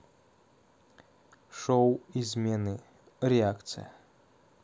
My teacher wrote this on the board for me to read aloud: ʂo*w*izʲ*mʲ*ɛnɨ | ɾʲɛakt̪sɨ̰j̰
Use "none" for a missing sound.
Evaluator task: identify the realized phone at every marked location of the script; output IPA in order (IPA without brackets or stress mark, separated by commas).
w, mʲ